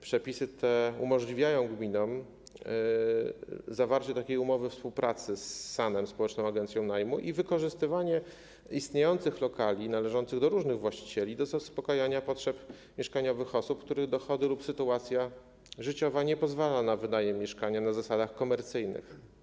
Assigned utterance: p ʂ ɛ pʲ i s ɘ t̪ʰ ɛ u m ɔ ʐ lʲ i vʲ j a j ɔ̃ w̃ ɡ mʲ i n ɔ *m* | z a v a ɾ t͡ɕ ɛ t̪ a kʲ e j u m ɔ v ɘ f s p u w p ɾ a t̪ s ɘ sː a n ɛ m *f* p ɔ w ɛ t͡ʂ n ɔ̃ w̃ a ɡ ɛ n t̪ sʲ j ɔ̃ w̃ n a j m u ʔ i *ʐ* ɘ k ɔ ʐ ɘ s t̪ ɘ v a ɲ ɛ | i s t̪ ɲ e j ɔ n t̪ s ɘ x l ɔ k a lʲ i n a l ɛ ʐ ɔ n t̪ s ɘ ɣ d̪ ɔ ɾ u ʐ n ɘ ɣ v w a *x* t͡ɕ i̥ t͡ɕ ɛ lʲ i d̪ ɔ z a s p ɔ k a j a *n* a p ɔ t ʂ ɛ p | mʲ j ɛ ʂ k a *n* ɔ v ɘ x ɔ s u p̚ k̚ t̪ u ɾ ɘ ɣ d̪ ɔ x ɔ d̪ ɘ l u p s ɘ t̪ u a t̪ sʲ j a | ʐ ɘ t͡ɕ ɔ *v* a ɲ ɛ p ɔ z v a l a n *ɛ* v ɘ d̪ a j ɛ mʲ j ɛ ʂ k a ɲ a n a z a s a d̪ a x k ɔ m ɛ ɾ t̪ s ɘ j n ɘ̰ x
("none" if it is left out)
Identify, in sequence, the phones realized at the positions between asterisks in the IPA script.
m, s, v, ɕ, ɲ, ɲ, v, a

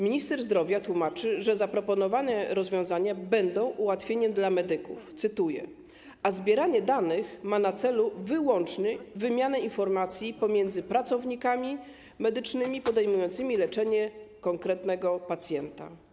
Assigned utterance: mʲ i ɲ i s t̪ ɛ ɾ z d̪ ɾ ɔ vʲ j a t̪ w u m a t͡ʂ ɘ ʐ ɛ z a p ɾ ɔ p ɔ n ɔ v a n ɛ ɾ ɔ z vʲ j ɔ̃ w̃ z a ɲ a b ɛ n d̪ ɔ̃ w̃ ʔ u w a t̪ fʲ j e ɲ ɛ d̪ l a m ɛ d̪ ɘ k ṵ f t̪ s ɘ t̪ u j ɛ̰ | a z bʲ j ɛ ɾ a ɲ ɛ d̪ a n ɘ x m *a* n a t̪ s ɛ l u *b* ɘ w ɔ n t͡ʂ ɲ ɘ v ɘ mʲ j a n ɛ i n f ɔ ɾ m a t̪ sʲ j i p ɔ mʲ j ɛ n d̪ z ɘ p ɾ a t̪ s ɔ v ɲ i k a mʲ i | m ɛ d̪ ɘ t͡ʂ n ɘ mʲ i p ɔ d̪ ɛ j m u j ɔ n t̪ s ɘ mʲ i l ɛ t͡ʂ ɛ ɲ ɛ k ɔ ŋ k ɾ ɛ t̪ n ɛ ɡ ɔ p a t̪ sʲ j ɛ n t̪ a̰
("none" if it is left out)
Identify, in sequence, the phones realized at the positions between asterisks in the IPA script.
a, v

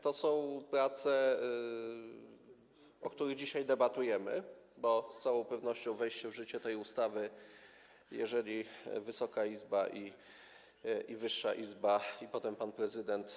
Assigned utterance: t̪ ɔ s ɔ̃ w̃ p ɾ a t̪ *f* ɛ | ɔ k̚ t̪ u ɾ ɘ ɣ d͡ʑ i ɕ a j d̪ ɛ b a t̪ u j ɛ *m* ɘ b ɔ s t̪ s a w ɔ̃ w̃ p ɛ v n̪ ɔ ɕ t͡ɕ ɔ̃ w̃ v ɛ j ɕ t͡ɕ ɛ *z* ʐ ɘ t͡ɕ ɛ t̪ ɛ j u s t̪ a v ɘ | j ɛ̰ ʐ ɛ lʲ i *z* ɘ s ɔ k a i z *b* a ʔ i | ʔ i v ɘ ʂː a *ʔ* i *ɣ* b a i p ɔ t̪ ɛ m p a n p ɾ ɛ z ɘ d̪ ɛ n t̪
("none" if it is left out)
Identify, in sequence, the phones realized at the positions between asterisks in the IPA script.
s, m, v, v, b, ʔ, z

